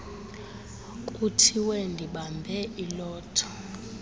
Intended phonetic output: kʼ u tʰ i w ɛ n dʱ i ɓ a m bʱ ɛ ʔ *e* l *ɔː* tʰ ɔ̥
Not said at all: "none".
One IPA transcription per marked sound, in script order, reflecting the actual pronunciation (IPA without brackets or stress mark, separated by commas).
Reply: i, ɔː